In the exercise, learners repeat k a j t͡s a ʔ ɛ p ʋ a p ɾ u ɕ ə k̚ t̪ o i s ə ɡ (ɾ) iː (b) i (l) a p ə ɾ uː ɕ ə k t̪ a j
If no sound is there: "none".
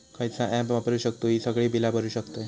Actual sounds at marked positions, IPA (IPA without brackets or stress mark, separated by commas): ɭ, b, l